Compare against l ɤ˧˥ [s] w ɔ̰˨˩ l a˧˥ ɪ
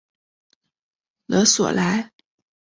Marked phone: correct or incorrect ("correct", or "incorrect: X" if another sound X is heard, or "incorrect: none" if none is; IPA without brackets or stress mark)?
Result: correct